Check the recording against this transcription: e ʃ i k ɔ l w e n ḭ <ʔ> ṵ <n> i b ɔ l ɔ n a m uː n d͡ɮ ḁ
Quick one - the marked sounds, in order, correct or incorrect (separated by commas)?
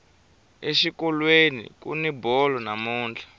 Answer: incorrect, correct